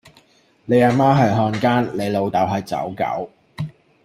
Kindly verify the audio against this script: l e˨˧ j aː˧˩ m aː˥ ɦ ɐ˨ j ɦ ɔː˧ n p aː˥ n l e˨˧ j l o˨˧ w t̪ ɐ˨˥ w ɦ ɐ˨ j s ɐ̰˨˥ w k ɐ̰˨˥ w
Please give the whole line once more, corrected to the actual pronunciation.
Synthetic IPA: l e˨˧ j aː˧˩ m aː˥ ɦ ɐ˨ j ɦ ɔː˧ n k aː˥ n l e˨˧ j l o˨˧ w t̪ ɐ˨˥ w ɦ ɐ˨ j t͡s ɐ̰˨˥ w k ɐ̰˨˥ w